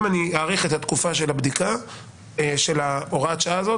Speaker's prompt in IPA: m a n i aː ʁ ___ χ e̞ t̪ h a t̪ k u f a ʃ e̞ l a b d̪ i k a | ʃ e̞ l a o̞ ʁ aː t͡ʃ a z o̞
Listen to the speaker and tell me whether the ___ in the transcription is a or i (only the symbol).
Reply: i